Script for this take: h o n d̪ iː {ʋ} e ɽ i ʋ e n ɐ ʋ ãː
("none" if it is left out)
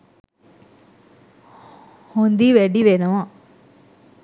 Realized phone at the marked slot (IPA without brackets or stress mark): ʋ